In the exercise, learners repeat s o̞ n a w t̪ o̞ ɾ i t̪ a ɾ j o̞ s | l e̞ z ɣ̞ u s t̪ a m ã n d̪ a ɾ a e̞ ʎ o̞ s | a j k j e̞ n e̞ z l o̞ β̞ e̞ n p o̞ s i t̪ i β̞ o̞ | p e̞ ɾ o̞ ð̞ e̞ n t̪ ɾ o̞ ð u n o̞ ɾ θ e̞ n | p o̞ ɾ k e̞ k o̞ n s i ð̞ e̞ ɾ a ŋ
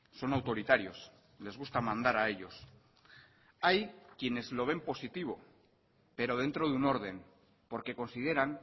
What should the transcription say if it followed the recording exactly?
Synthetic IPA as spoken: s o̞ n a w t̪ o̞ ɾ i t̪ a ɾ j o̞ s | l e̞ z ɣ̞ u s t̪ a m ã n d̪ a ɾ a e̞ ʎ o̞ s | a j k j e̞ n e̞ z l o̞ β̞ e̞ m p o̞ s i t̪ i β̞ o̞ | p e̞ ɾ o̞ ð̞ e̞ n t̪ ɾ o̞ ð u n o̞ ɾ ð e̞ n | p o̞ ɾ k e̞ k o̞ n s i ð̞ e̞ ɾ a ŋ